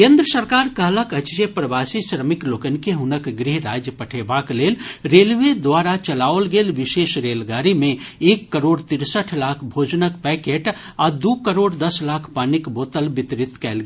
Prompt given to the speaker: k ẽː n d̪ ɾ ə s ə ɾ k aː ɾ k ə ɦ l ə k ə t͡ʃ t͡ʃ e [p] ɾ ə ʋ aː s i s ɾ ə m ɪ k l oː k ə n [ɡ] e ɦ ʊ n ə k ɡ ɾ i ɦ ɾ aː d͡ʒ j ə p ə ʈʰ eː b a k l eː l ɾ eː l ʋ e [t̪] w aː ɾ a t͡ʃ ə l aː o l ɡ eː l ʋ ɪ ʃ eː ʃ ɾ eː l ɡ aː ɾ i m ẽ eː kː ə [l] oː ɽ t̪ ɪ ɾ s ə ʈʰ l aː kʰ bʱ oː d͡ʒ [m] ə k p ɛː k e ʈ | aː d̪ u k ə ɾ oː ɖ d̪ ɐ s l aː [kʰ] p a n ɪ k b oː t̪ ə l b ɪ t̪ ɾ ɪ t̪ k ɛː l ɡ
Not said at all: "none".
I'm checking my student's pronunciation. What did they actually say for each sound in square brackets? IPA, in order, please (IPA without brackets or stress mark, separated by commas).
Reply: p, k, d̪, ɾ, n, kʰ